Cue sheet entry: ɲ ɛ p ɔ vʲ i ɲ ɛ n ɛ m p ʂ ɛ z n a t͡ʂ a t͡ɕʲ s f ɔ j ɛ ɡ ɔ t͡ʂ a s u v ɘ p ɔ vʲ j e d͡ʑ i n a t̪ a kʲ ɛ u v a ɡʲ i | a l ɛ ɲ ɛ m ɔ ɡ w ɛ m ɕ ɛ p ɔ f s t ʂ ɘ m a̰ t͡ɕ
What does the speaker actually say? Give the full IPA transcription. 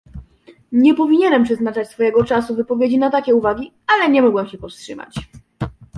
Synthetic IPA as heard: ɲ ɛ p ɔ vʲ i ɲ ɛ n ɛ m p ʂ ɛ z n a t͡ʂ a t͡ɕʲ s f ɔ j ɛ ɡ ɔ t͡ʂ a s u v ɘ p ɔ vʲ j e d͡ʑ i n a t̪ a kʲ ɛ u v a ɡʲ i | a l ɛ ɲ ɛ m ɔ ɡ w ɛ m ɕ ɛ p ɔ f s t ʂ ɘ m a̰ t͡ɕ